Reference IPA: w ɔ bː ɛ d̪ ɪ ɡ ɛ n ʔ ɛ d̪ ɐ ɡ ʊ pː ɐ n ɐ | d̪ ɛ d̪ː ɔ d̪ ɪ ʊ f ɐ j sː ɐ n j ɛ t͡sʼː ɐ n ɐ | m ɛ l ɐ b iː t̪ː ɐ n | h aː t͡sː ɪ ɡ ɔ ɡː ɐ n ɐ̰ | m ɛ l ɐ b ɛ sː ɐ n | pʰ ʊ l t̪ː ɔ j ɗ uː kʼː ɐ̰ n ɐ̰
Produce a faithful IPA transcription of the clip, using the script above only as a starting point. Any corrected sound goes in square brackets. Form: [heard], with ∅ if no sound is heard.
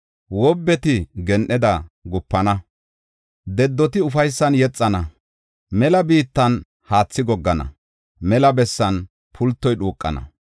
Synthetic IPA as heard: w ɔ bː ɛ [t̪] ɪ ɡ ɛ n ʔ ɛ d̪ ɐ ɡ ʊ pː ɐ n ɐ | d̪ ɛ d̪ː ɔ [t̪] ɪ ʊ f ɐ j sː ɐ n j ɛ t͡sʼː ɐ n ɐ | m ɛ l ɐ b iː t̪ː ɐ n | h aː t͡sː ɪ ɡ ɔ ɡː ɐ n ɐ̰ | m ɛ l ɐ b ɛ sː ɐ n | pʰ ʊ l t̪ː ɔ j ɗ uː kʼː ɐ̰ n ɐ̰